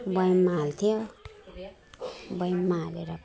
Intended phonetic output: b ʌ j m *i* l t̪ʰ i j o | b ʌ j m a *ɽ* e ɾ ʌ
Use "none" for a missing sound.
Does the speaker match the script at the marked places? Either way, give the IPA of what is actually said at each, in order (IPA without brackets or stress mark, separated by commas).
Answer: a, l